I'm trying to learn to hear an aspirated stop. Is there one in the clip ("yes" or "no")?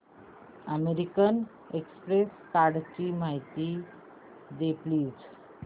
no